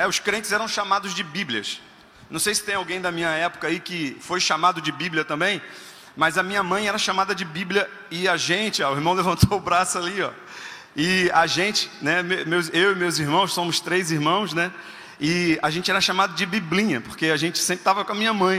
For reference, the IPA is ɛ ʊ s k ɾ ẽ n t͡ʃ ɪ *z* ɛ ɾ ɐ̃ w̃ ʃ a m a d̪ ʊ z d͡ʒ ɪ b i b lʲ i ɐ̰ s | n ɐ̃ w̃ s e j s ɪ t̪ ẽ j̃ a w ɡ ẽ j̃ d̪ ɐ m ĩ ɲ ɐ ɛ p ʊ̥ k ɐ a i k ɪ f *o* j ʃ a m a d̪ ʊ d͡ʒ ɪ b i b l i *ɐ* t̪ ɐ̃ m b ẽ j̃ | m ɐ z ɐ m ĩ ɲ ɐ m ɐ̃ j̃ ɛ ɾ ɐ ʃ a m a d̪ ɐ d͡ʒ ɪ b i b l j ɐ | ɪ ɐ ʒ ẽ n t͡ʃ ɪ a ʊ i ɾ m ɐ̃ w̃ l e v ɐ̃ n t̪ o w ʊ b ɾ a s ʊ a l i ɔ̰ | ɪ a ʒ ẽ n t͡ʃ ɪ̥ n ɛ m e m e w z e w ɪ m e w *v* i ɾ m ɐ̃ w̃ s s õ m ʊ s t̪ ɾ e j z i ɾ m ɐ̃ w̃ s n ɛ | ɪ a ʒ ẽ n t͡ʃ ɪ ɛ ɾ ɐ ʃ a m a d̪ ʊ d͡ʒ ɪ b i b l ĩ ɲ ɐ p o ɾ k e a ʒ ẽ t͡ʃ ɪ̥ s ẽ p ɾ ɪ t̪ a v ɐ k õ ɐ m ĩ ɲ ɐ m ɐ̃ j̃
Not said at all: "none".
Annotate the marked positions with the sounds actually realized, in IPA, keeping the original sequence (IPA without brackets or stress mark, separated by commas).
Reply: z, o, ɐ, z